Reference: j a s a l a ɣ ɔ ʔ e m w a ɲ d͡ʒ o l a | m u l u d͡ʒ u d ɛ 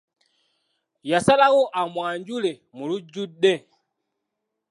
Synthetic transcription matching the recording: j a s a l a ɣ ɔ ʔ a m w a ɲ d͡ʒ u l ɛ | m u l u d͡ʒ u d ɛ

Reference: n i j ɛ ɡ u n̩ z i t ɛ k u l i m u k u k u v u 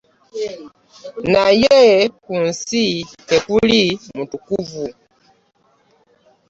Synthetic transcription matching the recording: n a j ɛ k u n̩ s i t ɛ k u l i m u t u k u v u

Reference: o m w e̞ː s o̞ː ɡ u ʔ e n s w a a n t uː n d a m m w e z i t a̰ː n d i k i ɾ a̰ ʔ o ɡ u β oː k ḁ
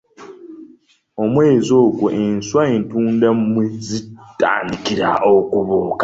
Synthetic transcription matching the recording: o m w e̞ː z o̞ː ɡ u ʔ e n s w a e n t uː n d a m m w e z i t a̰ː n d i k i ɾ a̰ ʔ o k u β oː k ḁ

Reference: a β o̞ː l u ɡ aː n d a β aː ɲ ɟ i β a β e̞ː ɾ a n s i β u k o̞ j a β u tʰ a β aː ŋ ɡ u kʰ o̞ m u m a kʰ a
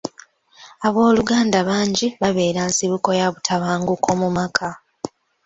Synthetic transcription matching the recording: a β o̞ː l u ɡ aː n d a β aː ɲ ɟ i β a β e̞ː ɾ a n s i β u k o̞ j a β u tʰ a β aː ŋ ɡ u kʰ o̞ m u m a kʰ a

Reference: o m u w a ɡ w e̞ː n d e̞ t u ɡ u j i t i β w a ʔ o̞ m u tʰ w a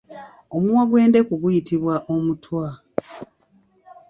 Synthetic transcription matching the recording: o m u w a ɡ w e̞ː n d e̞ k u ɡ u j i t i β w a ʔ o̞ m u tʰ w a

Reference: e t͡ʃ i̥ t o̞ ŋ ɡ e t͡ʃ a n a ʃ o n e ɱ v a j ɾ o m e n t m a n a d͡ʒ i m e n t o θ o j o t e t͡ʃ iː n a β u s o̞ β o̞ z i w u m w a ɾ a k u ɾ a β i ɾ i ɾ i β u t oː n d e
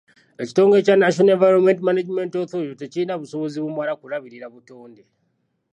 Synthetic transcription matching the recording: e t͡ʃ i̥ t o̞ ŋ ɡ e t͡ʃ a n a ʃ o n e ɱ v a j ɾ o m e n t m a n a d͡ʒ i m e n t o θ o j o t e t͡ʃ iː n a β u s o̞ β o̞ z i β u m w a ɾ a k u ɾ a β i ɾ i ɾ a β u t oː n d e

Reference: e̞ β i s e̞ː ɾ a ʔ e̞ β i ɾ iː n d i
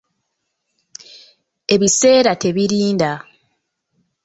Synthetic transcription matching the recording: e̞ β i s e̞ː ɾ a t e̞ β i ɾ iː n d a

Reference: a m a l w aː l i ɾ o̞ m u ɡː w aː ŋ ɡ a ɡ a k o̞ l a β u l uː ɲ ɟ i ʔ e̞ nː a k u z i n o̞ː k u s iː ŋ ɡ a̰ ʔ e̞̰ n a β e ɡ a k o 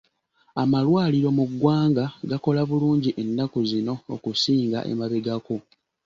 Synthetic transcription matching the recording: a m a l w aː l i ɾ o̞ m u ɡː w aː ŋ ɡ a ɡ a k o̞ l a β u l uː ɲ ɟ i ʔ e̞ nː a k u z i n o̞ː k u s iː ŋ ɡ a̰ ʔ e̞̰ m a β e ɡ a k o

